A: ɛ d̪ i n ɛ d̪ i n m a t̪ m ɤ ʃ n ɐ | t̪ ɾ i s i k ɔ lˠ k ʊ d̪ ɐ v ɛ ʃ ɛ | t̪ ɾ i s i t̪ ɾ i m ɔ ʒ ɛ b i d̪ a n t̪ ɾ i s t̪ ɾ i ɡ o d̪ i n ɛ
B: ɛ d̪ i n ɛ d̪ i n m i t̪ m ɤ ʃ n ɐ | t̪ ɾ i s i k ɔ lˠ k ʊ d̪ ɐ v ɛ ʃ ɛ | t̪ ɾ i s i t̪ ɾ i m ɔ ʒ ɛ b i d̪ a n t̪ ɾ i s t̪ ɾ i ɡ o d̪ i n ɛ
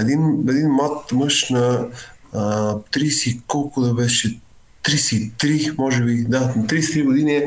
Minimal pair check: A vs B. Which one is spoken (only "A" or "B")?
A